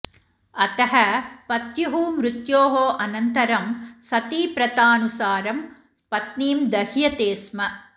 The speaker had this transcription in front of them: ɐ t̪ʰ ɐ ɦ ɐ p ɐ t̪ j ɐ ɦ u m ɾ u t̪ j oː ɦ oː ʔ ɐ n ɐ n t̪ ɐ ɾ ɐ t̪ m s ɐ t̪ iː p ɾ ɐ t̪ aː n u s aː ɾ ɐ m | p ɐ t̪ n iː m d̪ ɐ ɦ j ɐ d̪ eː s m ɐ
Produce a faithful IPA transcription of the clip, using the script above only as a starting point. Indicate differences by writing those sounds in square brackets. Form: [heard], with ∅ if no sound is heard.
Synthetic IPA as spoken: ɐ [t̪] ɐ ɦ ɐ p ɐ t̪ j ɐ ɦ u m ɾ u t̪ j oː ɦ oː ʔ ɐ n ɐ n t̪ ɐ ɾ ɐ [∅] m s ɐ t̪ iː p ɾ ɐ t̪ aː n u s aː ɾ ɐ m | p ɐ t̪ n iː m d̪ ɐ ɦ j ɐ [t̪] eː s m ɐ